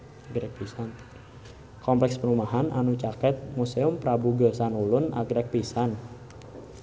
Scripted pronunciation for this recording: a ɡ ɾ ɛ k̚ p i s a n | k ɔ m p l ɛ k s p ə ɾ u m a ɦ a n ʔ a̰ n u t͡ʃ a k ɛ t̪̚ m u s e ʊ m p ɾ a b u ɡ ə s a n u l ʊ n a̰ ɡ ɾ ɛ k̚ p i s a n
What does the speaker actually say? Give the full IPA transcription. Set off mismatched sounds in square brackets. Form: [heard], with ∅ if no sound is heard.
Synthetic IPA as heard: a ɡ ɾ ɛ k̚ p i s a n | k ɔ m p l ɛ k s p ə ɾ u m a ɦ a n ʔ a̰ n u t͡ʃ a k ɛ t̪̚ m u s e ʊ m p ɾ a b u ɡ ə s a n u l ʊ n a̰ ɡ ɾ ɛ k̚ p i s a n